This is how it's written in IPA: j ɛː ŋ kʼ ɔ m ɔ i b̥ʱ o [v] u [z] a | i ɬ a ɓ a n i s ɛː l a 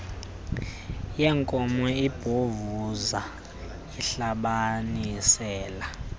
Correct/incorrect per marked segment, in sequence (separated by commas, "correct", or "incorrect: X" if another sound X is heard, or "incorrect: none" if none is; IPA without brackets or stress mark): correct, correct